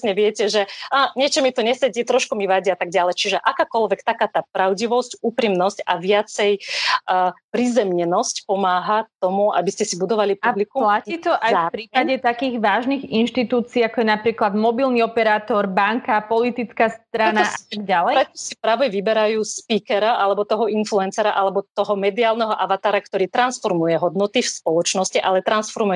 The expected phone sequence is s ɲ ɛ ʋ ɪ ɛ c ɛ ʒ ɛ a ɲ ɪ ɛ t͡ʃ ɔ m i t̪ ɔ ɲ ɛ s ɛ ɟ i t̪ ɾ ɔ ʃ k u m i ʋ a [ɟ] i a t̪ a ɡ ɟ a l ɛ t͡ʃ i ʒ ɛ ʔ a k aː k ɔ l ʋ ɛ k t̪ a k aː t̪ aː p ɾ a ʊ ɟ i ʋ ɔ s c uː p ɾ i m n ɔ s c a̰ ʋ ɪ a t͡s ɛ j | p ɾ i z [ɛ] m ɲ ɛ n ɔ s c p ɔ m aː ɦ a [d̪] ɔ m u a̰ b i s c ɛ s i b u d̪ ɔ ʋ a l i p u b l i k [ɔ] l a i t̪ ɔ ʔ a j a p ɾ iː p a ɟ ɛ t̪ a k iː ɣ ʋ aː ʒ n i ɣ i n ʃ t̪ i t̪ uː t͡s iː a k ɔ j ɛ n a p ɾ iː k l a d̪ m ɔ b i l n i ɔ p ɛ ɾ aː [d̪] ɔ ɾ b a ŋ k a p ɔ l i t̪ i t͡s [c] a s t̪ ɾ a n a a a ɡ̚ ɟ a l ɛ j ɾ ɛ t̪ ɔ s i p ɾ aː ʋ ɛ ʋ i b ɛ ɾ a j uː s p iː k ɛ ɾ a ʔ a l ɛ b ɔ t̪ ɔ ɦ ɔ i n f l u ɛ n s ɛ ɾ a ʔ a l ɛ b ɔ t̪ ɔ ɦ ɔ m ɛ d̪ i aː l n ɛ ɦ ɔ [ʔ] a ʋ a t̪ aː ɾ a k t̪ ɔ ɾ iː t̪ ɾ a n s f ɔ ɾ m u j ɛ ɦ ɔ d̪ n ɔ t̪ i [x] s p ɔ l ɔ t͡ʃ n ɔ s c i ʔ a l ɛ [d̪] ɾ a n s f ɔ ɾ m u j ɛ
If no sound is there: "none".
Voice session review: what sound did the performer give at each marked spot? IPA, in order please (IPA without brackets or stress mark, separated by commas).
ɟ, ɛ, t̪, u, t̪, k, ʔ, f, t̪